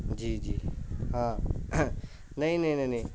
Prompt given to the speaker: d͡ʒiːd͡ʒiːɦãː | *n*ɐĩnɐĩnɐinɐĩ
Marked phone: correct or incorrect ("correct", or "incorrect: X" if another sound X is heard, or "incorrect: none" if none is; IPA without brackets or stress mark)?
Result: correct